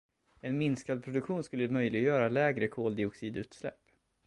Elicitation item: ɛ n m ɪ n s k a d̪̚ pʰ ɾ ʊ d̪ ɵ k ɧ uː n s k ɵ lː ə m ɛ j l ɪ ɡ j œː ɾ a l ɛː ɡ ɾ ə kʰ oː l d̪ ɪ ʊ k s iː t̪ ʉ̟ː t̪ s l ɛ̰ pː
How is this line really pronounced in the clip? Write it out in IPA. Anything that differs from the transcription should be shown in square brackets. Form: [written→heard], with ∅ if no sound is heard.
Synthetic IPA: ɛ n m ɪ n s k a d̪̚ pʰ ɾ ʊ d̪ ɵ k ɧ uː n s k ɵ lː ə m [ɛ→œ] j l ɪ ɡ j œː ɾ a l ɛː ɡ ɾ ə kʰ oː l d̪ ɪ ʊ k s iː [t̪→d̪] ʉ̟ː t̪ s l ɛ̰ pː